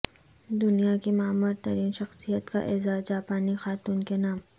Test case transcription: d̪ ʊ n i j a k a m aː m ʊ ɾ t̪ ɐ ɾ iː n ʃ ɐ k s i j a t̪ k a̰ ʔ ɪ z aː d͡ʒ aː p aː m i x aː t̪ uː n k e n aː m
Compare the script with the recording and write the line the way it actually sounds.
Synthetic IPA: d̪ ʊ n i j a k i m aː m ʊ ɾ t̪ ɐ ɾ iː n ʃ ɐ x s i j ə t̪ k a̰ ʔ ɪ z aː d͡ʒ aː p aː n i x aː t̪ uː n k e n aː m